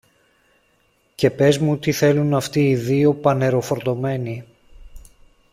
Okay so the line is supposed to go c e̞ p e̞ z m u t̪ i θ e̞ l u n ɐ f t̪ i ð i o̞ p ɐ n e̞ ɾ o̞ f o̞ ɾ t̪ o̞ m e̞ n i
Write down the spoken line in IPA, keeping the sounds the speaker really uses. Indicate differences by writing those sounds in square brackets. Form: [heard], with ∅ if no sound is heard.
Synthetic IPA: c e̞ p e̞ z m u t̪ i θ e̞ l u n ɐ f t̪ [iː] ð i o̞ p ɐ n e̞ ɾ o̞ f o̞ ɾ t̪ o̞ m e̞ n i